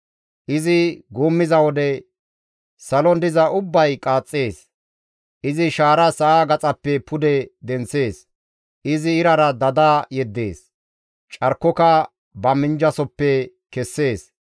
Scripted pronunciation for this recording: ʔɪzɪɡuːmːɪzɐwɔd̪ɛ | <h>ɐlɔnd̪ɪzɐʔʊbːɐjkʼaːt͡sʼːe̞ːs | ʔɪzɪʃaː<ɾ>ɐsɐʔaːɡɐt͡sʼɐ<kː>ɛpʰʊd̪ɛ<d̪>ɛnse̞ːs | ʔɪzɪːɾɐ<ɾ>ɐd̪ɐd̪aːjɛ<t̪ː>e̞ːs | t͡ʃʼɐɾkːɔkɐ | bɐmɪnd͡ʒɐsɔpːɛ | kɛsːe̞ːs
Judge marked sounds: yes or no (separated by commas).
no, yes, no, yes, yes, no